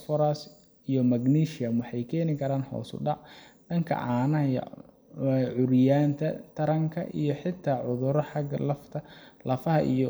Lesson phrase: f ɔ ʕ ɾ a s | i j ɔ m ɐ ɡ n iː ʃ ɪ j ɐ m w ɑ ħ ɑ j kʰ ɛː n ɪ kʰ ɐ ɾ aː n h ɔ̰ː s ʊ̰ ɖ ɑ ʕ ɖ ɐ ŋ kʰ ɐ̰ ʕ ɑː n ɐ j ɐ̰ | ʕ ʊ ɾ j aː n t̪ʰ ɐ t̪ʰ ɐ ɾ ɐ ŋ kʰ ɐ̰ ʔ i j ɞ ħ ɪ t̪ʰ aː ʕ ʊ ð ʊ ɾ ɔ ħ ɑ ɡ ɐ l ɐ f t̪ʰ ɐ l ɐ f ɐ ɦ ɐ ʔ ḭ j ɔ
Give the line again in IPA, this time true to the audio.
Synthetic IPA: f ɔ ɾ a s | i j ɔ m ɐ ɡ n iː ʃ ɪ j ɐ m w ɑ ħ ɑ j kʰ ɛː n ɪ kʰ ɐ ɾ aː n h ɔ̰ː s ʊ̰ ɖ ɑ ʕ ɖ ɐ ŋ kʰ ɐ̰ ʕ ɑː n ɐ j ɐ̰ | ʕ ʊ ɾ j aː n t̪ʰ ɐ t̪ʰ ɐ ɾ ɐ ŋ kʰ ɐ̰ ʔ i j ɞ ħ ɪ t̪ʰ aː ʕ ʊ ð ʊ ɾ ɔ ħ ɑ ɡ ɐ l ɐ f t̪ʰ ɐ l ɐ f ɐ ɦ ɐ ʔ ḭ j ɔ